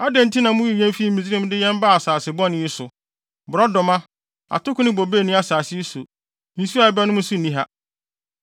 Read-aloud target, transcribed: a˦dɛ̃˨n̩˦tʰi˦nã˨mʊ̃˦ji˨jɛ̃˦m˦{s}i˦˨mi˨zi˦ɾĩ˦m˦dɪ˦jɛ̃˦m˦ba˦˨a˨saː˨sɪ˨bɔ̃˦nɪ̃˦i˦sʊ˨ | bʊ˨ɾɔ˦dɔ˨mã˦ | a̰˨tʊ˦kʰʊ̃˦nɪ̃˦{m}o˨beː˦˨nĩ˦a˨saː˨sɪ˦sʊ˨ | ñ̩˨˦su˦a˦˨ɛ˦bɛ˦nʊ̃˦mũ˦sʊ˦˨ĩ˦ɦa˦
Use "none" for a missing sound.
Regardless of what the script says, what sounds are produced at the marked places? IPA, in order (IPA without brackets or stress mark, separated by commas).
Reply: f, b